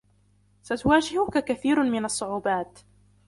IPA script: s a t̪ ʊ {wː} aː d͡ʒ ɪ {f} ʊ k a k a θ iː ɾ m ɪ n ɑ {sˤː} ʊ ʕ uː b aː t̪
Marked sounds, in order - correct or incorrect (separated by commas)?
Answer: incorrect, incorrect, correct